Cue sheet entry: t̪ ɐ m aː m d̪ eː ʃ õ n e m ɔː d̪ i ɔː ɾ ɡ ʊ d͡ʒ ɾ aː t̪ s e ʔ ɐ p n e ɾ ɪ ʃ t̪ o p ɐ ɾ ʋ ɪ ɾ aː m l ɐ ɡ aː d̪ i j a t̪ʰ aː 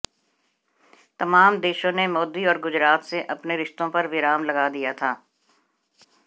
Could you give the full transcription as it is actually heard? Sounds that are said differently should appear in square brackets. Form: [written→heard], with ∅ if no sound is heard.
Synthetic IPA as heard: t̪ ɐ m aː m d̪ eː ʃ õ n e m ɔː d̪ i ɔː ɾ ɡ ʊ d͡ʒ ɾ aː t̪ s e ʔ ɐ p n e ɾ ɪ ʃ t̪ [o→õ] p ɐ ɾ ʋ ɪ ɾ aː m l ɐ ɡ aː d̪ i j a t̪ʰ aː